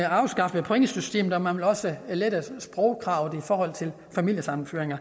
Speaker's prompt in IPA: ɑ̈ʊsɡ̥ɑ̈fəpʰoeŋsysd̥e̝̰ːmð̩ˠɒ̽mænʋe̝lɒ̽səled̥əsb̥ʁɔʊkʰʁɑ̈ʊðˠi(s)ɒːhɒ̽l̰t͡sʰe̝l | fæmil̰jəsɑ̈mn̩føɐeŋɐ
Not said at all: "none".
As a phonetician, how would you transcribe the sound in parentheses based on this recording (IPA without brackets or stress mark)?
f